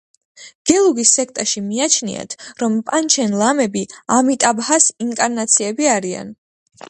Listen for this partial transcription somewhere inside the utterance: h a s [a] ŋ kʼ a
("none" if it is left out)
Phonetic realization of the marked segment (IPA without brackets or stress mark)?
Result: i